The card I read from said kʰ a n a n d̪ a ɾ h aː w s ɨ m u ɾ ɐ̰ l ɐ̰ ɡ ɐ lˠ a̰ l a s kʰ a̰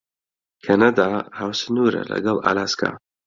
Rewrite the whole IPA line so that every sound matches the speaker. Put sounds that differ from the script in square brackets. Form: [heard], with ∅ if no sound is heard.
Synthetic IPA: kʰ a n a [∅] d̪ a [∅] h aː w s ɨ [n] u ɾ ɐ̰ l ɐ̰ ɡ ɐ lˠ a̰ l a s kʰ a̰